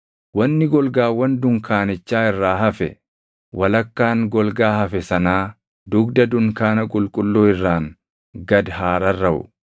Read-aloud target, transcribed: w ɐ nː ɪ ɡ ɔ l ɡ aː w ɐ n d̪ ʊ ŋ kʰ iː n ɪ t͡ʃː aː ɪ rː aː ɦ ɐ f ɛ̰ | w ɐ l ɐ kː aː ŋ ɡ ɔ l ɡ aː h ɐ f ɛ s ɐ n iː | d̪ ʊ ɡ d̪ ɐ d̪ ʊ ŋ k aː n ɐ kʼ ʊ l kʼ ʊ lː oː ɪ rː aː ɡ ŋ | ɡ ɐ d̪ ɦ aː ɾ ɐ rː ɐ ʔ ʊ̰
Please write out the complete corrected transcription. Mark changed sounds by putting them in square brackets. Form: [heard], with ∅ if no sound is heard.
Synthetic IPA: w ɐ nː ɪ ɡ ɔ l ɡ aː w ɐ n d̪ ʊ ŋ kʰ [aː] n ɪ t͡ʃː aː ɪ rː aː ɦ ɐ f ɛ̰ | w ɐ l ɐ kː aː ŋ ɡ ɔ l ɡ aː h ɐ f ɛ s ɐ n [aː] | d̪ ʊ ɡ d̪ ɐ d̪ ʊ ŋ k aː n ɐ kʼ ʊ l kʼ ʊ lː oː ɪ rː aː [∅] ŋ | ɡ ɐ d̪ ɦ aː ɾ ɐ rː ɐ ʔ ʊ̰